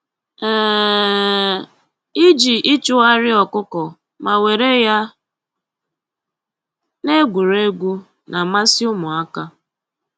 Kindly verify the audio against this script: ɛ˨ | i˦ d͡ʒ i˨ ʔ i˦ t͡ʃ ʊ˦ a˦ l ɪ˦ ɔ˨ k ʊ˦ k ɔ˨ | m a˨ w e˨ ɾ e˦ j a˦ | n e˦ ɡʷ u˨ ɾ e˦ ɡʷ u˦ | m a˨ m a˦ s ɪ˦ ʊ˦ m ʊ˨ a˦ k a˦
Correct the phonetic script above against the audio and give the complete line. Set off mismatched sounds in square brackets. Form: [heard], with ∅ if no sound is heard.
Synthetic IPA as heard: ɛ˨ | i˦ d͡ʒ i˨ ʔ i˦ t͡ʃ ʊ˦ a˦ [ɾ] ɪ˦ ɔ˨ k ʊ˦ k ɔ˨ | m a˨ w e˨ ɾ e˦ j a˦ | n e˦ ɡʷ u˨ ɾ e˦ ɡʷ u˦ | [n] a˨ m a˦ s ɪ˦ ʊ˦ m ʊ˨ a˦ k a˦